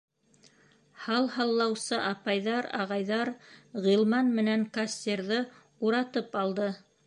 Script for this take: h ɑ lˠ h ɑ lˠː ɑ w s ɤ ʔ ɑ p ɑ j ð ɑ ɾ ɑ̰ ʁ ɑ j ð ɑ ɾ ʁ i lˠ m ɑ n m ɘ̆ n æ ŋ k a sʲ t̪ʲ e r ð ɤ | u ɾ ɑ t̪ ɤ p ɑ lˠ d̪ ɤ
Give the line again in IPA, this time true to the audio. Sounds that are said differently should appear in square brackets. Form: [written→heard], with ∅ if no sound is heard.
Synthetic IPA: h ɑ lˠ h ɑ lˠː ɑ w s ɤ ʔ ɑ p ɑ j ð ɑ ɾ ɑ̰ ʁ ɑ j ð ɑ ɾ ʁ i lˠ m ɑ n m ɘ̆ n æ ŋ k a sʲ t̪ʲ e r ð ɤ | u ɾ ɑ t̪ ɤ p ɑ lˠ d̪ ɤ